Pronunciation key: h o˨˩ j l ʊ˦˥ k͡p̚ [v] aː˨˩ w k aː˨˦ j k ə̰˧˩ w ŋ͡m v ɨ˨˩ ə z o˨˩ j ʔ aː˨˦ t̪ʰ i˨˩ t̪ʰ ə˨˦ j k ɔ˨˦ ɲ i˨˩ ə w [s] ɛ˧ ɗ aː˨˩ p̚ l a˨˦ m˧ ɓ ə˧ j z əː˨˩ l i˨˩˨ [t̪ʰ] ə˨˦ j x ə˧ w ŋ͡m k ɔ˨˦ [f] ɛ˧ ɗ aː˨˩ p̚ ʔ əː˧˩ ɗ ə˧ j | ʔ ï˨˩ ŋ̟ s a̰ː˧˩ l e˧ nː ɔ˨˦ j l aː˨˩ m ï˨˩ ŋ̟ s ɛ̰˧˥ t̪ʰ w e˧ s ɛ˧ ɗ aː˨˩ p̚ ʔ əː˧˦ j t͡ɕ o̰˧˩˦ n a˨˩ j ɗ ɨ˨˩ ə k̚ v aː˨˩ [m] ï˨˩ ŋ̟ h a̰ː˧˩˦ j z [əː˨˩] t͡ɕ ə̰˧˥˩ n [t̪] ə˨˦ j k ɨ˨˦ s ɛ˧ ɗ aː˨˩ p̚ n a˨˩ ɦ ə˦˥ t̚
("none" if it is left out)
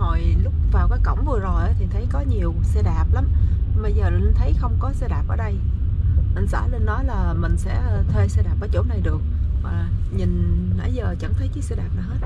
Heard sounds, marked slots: v, s, t̪ʰ, s, ɲ, əː˨˩, t̪ʰ

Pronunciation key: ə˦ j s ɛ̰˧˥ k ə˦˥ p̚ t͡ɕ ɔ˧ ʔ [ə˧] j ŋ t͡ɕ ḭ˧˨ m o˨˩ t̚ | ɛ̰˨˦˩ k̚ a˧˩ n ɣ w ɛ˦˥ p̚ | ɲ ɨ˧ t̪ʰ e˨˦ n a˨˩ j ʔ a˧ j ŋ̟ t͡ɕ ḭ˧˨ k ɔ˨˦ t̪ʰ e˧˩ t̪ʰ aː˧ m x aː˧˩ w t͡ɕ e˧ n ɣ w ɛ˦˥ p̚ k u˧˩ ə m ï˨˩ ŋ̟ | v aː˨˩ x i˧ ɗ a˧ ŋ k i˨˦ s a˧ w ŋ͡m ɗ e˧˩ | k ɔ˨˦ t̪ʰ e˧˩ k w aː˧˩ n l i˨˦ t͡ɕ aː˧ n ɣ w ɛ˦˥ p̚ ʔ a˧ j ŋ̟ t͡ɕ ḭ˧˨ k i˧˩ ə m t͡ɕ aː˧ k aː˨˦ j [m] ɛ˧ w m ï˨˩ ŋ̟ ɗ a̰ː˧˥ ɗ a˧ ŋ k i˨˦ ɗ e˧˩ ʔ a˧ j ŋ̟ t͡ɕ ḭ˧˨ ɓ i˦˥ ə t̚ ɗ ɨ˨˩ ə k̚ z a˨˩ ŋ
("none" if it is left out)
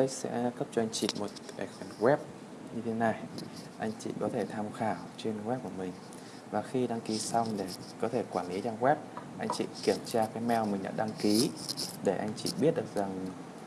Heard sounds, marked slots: a˧, m

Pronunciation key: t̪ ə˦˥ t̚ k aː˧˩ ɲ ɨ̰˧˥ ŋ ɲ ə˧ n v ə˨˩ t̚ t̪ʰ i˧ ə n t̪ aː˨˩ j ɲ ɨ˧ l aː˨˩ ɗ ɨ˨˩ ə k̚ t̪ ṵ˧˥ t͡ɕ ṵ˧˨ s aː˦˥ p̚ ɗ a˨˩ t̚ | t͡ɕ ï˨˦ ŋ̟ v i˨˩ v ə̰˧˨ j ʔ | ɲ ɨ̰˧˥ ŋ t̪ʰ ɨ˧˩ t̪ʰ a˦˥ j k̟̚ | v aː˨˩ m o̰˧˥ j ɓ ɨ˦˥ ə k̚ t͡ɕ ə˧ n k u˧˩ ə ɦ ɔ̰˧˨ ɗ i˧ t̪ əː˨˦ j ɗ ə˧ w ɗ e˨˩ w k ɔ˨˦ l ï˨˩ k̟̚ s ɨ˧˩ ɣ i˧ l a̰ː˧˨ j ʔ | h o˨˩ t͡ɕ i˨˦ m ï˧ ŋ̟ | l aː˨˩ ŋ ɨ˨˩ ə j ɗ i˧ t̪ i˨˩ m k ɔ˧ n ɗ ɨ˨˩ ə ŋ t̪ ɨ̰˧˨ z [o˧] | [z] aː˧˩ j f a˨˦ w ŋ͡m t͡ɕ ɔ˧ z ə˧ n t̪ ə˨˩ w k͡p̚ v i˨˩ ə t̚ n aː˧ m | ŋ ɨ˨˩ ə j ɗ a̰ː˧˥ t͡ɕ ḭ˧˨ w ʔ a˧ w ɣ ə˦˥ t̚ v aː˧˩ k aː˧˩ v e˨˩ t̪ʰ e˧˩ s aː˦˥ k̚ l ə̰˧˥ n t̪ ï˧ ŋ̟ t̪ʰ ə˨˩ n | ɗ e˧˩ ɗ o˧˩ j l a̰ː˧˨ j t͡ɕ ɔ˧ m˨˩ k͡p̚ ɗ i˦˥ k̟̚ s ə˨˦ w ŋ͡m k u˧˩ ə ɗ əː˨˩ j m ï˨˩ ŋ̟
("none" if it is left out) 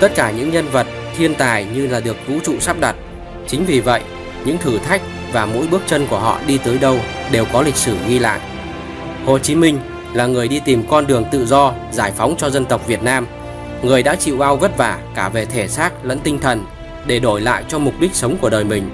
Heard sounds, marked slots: ɔ˧, z

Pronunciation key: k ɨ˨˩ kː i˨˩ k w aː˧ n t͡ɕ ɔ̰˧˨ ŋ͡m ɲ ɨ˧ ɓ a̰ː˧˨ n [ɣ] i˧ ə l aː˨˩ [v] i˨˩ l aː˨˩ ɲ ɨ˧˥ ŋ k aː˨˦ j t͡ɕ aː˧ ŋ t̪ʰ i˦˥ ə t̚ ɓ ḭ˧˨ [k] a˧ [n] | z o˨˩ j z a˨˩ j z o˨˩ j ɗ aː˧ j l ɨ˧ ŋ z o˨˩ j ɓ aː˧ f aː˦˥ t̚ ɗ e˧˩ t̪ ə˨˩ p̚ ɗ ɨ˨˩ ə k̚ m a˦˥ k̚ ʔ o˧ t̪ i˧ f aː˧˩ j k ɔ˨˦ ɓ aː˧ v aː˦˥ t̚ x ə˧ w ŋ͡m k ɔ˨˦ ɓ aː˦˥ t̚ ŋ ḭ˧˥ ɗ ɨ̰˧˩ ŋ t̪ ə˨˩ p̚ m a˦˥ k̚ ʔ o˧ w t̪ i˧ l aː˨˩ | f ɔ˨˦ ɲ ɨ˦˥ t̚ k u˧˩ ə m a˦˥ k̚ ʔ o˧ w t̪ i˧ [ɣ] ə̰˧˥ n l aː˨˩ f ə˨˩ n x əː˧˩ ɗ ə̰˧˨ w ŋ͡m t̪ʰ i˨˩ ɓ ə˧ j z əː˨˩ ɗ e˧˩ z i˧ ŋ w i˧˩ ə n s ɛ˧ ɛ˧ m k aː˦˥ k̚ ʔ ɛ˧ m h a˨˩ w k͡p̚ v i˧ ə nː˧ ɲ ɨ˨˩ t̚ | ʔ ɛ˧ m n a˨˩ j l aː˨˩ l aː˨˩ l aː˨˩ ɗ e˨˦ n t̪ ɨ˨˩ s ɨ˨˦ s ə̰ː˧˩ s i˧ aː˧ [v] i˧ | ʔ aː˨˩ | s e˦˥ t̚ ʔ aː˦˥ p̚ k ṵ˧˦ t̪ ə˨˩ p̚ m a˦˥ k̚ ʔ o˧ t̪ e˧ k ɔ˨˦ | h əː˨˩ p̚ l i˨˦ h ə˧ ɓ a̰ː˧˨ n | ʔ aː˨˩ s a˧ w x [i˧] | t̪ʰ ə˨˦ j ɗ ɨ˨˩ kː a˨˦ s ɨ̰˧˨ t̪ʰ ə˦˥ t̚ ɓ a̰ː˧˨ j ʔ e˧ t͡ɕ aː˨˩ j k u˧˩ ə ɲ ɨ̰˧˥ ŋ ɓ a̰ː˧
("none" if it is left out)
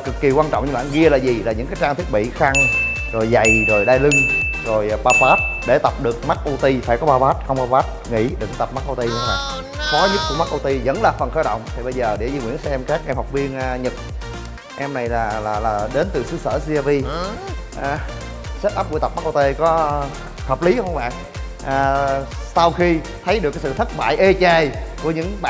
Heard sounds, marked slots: ɣ, z, x, ŋ, z, v, i˧

